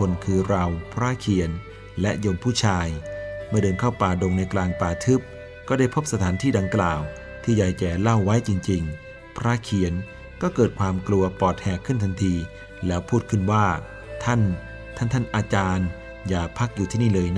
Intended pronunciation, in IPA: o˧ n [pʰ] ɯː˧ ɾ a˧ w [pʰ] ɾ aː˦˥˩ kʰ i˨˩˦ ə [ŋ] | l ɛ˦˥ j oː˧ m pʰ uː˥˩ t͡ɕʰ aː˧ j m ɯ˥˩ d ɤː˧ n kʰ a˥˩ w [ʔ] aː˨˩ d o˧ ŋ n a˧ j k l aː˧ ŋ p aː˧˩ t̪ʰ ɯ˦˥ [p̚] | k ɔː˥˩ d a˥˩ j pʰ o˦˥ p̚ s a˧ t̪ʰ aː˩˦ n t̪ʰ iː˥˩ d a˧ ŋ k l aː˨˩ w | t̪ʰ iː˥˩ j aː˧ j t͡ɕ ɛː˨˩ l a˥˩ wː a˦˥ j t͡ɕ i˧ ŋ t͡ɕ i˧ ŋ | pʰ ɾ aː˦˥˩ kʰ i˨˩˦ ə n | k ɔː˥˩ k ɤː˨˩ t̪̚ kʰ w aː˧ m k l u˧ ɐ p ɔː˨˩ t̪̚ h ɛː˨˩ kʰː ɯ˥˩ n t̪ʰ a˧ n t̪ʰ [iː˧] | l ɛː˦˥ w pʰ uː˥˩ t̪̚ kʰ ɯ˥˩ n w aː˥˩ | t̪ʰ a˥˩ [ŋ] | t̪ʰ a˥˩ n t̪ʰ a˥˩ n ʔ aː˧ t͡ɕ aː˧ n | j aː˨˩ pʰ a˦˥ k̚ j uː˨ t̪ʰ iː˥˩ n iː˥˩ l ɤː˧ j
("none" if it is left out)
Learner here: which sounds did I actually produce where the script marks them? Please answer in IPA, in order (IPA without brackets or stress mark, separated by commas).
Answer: kʰ, pʰ, n, p, p̚, iː˧, n